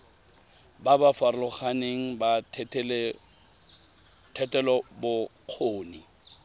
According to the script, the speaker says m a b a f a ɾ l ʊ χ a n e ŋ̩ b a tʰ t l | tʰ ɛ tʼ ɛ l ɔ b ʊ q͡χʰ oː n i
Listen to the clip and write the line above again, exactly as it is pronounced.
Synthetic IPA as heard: b a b a f a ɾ l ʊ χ a n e ŋ̩ b a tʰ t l | tʰ ɛ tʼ ɛ l ɔ b ʊ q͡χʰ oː n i